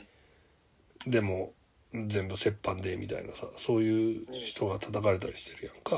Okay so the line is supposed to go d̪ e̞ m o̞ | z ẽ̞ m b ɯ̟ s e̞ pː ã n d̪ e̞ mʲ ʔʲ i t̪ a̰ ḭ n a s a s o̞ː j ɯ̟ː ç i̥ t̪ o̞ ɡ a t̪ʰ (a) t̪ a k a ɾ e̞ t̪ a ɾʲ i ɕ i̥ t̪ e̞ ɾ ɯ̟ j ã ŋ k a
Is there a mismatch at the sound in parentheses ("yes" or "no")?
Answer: no